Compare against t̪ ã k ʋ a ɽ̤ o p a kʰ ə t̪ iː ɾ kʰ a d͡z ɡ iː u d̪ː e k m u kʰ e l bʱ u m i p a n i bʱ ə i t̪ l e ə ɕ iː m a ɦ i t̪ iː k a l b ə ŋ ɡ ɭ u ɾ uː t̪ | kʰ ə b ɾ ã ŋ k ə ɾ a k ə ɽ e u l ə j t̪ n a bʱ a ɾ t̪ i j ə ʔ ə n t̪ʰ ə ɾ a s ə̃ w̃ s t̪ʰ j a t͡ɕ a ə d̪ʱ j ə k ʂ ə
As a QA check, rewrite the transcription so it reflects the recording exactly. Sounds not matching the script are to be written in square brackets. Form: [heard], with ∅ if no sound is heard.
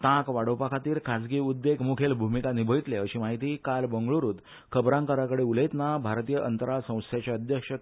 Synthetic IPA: t̪ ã k ʋ a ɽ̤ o p a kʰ [a] t̪ iː ɾ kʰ a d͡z ɡ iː u d̪ː e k m u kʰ e l bʱ u m i [k] a n i bʱ ə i t̪ l e ə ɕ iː m a ɦ i t̪ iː k a l b ə ŋ ɡ ɭ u ɾ uː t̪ | kʰ ə b ɾ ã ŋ k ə ɾ a k ə ɽ e u l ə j t̪ n a bʱ a ɾ t̪ i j ə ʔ ə n [t̪] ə ɾ a s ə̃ w̃ s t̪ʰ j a t͡ɕ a ə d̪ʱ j ə k ʂ ə